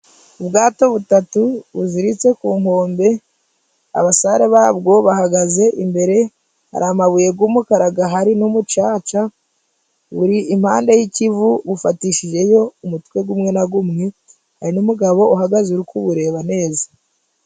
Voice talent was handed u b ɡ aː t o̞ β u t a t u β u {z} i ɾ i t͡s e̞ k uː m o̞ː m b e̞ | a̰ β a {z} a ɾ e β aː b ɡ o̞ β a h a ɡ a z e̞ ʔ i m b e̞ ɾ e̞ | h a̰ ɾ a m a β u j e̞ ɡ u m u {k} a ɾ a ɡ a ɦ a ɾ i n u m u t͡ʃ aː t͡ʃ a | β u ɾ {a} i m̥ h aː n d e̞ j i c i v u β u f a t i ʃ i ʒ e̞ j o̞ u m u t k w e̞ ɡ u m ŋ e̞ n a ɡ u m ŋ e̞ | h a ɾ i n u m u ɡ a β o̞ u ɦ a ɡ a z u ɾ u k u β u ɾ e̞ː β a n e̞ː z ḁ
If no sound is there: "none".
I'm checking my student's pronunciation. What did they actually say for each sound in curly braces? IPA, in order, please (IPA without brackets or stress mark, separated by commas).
z, s, k, i